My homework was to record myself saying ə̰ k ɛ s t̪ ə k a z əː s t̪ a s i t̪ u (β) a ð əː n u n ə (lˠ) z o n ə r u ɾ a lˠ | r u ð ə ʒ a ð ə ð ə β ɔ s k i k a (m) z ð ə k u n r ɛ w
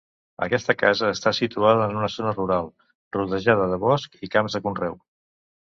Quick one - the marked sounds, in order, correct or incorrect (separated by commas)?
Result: incorrect, incorrect, correct